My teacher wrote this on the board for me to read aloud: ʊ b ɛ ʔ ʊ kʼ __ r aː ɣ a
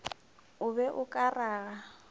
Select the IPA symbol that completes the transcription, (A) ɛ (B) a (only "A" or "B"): B